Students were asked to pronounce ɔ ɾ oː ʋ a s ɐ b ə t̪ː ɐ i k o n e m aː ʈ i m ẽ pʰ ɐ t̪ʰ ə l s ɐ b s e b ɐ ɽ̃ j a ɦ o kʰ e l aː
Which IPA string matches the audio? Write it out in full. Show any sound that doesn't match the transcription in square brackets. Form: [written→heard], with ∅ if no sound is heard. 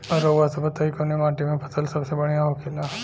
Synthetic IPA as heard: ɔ ɾ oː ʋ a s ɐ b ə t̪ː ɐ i k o n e m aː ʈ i m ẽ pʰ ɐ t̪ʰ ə l s ɐ b s e b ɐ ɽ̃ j a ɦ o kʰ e l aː